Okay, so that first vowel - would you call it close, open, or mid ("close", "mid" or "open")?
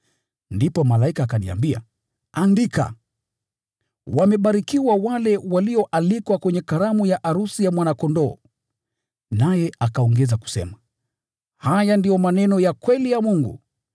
close